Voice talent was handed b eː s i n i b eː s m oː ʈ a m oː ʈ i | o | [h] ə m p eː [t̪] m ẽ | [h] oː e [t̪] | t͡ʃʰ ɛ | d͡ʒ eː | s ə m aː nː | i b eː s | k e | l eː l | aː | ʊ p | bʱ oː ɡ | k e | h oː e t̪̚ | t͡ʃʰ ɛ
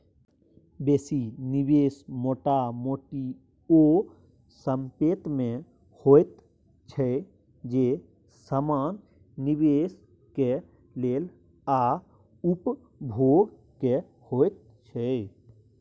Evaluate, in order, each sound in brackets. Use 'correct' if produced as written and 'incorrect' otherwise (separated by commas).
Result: incorrect, correct, correct, correct